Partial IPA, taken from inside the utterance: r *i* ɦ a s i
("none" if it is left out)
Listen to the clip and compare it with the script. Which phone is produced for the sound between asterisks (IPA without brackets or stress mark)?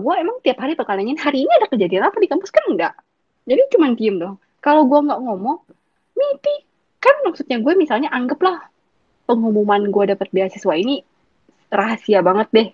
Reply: a